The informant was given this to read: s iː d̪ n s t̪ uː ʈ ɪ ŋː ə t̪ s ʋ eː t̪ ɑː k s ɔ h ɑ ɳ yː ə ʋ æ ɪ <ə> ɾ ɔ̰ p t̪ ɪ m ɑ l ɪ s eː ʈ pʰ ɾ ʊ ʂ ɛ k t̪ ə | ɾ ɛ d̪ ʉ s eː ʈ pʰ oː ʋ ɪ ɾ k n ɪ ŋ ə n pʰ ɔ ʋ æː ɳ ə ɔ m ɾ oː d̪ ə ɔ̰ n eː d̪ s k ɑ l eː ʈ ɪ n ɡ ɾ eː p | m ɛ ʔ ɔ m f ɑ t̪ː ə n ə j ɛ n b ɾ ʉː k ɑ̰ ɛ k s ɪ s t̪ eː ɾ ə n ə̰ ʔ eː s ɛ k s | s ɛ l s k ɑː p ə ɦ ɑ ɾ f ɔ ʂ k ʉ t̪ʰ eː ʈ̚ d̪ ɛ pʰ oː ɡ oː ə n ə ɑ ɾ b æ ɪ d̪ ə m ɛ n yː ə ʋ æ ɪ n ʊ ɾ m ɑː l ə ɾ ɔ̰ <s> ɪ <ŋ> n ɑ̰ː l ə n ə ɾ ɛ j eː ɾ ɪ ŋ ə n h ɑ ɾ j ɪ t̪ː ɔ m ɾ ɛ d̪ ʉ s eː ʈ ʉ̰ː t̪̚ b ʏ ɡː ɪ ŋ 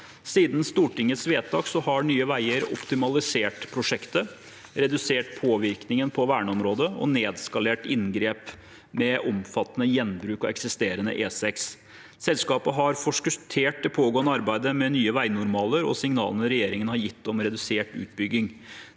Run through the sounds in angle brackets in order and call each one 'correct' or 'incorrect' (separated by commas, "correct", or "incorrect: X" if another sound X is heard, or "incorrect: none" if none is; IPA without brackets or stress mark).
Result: correct, correct, correct